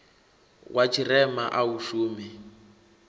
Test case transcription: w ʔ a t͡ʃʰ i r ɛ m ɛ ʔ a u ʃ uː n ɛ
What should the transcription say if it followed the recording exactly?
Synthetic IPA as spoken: w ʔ a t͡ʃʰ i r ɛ m a ʔ a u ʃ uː m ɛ

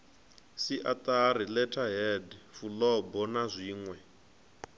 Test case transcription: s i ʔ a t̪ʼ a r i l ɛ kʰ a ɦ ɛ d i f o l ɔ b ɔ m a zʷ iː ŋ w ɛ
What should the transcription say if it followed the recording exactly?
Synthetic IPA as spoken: s i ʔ a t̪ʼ a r i l ɛ tʰ a ɦ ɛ d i f u l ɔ b ɔ n a zʷ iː ŋ w ɛ

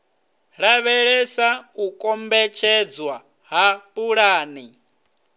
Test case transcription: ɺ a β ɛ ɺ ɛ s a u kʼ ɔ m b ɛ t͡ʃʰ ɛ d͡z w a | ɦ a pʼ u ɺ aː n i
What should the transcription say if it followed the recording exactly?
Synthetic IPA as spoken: ɺ a β ɛ ɺ ɛ s a u kʼ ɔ m b ɛ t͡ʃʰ ɛ d͡z w a | ɦ a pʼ u ɺ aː n i

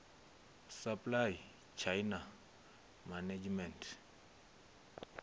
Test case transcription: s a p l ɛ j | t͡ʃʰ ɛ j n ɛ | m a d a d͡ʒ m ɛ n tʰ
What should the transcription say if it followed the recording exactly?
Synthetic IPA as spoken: s a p l a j | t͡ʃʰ a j n a | m a n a d͡ʒ m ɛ n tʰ

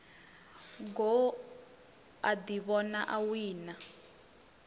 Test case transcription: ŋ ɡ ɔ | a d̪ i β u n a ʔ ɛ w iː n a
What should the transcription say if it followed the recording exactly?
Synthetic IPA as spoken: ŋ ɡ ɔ | a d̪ i β ɔ n a ʔ a w iː n a

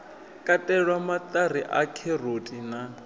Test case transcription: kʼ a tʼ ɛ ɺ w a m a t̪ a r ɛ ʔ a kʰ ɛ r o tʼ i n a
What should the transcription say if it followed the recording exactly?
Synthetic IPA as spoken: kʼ a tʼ ɛ ɺ w a m a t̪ a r i ʔ a kʰ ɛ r o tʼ i n a

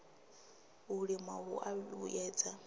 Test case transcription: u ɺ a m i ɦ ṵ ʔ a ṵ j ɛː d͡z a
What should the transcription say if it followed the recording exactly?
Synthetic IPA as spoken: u ɺ i m a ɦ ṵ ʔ a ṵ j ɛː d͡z a

